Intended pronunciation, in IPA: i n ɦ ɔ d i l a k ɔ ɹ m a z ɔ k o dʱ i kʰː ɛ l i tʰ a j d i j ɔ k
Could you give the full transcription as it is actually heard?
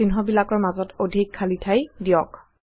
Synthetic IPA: i n ɦ ɔ b i l a k ɔ ɹ m a z ɔ t o dʱ i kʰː a l i tʰ a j d i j ɔ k